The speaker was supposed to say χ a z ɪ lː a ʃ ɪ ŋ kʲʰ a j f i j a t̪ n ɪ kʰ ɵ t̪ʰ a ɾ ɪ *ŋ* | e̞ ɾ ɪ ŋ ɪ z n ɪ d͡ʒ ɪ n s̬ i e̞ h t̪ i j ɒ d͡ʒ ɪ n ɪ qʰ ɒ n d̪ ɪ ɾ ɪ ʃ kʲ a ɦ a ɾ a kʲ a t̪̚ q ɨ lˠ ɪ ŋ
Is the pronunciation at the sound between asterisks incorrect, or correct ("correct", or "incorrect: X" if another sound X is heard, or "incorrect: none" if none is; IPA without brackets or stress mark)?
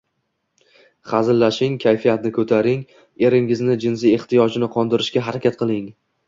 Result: correct